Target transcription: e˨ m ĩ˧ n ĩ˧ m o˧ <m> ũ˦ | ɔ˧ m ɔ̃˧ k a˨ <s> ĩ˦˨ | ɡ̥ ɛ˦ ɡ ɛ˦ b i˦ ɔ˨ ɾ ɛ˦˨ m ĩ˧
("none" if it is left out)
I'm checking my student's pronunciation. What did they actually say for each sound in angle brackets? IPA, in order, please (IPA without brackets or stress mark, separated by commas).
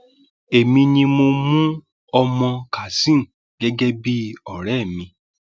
m, s